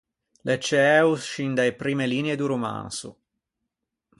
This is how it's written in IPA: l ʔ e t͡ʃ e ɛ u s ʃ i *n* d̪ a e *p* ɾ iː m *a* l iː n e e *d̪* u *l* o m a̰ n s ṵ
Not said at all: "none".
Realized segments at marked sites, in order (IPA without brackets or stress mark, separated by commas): n, p, e, d̪, ɾ